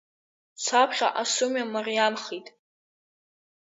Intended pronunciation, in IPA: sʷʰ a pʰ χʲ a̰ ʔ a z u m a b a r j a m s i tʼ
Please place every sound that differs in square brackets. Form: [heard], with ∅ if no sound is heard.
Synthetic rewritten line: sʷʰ a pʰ χʲ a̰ ʔ a [s] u m a [m] a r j a m [χ] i tʼ

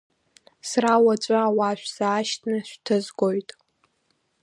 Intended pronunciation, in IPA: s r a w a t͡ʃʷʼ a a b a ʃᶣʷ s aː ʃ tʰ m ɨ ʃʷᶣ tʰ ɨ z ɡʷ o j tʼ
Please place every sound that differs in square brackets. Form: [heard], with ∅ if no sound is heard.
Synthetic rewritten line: s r a w a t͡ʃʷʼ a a [w] a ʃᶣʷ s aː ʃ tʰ [n] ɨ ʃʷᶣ tʰ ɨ z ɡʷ o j tʼ

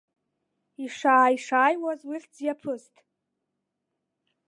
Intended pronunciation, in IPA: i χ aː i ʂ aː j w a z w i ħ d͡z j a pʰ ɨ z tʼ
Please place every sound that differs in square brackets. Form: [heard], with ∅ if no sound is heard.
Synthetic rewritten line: i [ʂ] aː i ʂ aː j w a z w i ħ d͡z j a pʰ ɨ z tʼ

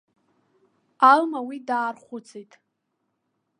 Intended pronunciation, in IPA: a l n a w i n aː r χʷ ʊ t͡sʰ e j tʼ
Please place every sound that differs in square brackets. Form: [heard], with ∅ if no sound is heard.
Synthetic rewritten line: a l [m] a w i [d] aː r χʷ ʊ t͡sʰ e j tʼ

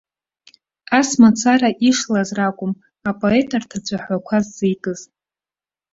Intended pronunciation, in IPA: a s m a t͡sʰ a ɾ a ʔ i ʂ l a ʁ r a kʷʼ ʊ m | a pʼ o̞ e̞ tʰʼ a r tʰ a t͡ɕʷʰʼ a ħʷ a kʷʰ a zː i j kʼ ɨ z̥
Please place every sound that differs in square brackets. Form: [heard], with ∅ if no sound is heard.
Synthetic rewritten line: a s m a t͡sʰ a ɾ a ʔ i ʂ l a [z] r a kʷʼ ʊ m | a pʼ o̞ e̞ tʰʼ a r tʰ a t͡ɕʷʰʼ a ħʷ a kʷʰ a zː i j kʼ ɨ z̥

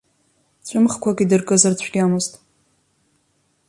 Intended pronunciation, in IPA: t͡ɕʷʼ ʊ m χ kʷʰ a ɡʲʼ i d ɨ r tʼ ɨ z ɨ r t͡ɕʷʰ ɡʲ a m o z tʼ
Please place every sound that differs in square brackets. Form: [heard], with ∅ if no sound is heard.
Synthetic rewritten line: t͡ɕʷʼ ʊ m χ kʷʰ a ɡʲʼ i d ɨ r [kʼ] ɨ z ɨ r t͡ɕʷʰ ɡʲ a m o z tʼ

